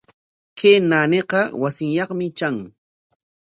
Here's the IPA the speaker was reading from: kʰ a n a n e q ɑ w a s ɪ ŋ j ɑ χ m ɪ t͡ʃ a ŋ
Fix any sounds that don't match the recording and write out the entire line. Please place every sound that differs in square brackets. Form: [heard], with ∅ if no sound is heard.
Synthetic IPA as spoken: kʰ [e] n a n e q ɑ w a s ɪ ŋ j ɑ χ m ɪ t͡ʃ a ŋ